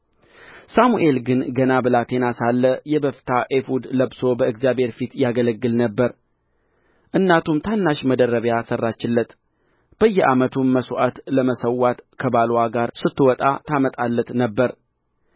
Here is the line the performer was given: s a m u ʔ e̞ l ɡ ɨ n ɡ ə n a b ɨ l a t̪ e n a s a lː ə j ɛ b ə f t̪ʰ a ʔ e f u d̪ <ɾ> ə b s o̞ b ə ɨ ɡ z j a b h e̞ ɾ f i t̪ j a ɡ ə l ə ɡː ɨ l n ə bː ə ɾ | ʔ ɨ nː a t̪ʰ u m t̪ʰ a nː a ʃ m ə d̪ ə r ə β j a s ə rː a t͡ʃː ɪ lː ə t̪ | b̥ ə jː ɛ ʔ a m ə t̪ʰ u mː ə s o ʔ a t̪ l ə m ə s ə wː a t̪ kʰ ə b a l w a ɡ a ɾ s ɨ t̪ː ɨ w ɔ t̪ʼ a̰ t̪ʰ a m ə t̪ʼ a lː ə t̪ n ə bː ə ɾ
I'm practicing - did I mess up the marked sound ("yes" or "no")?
yes